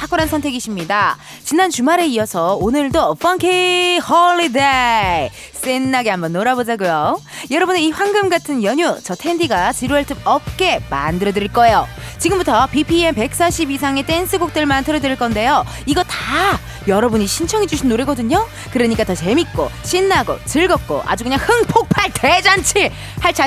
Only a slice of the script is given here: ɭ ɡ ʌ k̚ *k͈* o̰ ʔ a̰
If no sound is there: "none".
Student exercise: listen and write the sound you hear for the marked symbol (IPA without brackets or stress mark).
k͈